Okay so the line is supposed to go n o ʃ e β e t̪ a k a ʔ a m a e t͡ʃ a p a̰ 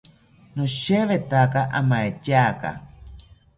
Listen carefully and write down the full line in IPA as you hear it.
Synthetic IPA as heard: n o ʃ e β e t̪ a k a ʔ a m a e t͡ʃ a k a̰